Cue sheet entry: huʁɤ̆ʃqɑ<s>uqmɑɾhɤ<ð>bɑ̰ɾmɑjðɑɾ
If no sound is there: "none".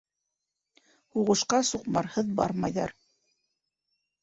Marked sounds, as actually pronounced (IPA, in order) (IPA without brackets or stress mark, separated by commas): s, ð